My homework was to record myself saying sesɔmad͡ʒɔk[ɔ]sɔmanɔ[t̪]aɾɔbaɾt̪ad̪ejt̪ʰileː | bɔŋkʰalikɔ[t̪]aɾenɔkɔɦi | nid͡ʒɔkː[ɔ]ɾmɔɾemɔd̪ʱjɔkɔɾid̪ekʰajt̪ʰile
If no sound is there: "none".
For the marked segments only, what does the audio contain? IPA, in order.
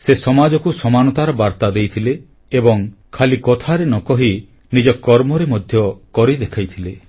u, t̪, t̪ʰ, ɔ

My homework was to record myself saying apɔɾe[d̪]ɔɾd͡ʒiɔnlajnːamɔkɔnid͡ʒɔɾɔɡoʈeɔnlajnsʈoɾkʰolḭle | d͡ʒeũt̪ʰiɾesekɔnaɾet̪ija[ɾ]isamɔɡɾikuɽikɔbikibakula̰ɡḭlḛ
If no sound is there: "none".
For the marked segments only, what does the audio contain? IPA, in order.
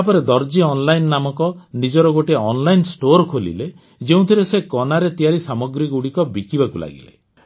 d̪, ɾ

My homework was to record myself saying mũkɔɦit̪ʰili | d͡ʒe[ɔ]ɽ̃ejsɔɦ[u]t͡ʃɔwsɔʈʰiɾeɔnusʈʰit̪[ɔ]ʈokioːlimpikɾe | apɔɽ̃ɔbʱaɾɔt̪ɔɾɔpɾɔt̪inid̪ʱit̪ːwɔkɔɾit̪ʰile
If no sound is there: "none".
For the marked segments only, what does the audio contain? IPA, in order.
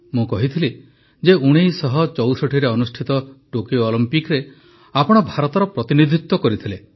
u, ɔ, ɔ

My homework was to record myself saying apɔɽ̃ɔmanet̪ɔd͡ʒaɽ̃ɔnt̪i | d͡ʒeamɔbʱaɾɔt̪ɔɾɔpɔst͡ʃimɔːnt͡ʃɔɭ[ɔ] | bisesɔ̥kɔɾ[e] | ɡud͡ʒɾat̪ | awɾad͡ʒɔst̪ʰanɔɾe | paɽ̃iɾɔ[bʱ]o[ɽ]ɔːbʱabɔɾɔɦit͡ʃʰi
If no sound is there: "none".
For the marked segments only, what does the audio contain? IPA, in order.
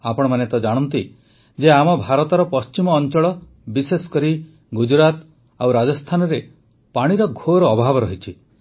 ɔ, i, ɡʱ, ɾ

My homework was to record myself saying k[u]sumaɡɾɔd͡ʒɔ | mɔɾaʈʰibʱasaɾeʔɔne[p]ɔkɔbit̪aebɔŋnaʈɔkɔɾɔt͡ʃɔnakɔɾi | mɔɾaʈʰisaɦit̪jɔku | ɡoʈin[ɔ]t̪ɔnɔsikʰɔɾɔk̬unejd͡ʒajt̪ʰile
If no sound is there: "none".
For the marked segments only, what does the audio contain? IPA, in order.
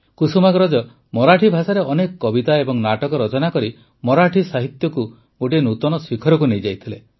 u, k, u

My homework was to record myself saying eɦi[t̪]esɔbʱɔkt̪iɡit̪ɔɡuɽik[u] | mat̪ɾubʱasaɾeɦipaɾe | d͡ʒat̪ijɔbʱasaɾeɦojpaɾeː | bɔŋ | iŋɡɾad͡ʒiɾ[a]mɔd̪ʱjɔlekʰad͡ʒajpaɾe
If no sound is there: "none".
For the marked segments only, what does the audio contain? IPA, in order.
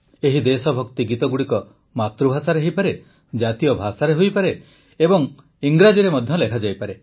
d̪, ɔ, e

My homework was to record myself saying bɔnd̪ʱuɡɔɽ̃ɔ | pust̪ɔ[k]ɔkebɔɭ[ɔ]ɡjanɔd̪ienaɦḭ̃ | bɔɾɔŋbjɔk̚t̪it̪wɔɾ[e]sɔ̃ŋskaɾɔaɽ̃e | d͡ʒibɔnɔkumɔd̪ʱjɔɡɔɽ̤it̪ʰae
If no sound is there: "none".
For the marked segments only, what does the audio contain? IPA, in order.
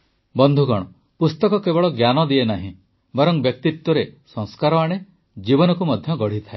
k, ɔ, e

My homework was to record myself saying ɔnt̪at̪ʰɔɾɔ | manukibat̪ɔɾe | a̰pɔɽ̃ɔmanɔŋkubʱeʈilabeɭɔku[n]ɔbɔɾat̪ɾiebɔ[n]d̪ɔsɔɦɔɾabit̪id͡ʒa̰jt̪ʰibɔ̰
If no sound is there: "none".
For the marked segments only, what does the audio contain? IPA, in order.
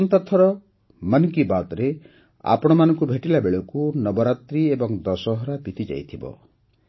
n, ŋ

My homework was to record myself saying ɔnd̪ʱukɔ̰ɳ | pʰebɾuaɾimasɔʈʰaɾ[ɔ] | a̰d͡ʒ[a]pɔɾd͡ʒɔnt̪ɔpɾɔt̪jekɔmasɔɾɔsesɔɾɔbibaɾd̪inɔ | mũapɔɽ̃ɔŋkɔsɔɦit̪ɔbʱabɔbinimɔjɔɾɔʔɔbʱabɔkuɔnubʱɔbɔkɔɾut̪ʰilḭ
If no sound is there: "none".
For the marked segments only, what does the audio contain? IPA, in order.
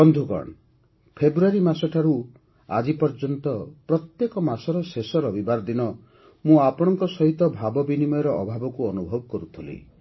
u, i

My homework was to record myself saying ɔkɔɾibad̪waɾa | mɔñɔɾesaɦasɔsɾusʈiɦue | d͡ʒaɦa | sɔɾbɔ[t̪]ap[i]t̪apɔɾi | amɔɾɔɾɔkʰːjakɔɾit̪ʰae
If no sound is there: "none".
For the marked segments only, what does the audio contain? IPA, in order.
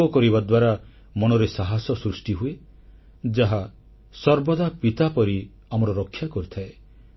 d̪, i

